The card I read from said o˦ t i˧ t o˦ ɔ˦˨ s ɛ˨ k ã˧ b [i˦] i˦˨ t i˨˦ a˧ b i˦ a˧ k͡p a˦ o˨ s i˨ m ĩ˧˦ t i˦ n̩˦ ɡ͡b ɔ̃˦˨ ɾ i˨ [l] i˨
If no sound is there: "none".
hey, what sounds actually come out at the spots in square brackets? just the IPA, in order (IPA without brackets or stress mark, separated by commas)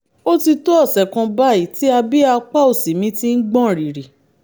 a˦, ɾ